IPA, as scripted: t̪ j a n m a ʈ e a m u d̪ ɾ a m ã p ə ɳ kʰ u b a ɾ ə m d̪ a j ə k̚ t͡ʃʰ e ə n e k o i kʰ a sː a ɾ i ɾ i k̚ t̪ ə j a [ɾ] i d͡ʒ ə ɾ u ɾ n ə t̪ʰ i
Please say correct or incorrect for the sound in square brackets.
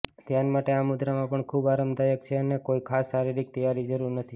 correct